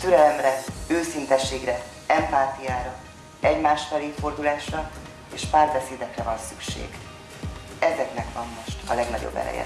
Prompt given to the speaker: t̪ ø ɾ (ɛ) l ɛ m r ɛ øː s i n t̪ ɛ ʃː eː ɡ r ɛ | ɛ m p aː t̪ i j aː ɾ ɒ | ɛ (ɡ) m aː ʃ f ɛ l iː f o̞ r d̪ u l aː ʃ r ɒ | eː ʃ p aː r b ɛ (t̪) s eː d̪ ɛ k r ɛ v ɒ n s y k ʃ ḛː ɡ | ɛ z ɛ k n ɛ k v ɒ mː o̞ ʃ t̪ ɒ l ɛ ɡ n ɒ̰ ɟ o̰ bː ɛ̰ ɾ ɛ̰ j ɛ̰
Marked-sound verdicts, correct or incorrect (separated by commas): correct, incorrect, incorrect